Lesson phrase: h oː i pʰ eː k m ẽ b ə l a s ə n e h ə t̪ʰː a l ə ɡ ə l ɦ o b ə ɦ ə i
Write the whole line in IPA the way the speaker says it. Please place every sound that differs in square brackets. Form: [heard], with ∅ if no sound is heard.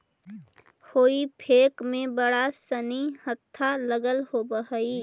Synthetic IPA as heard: h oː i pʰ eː k m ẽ b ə [ɽ] a s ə n [i] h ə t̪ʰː a l ə ɡ ə l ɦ o b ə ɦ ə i